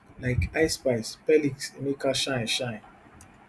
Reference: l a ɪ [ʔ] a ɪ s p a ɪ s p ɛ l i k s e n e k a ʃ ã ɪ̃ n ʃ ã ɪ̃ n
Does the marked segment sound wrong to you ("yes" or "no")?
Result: yes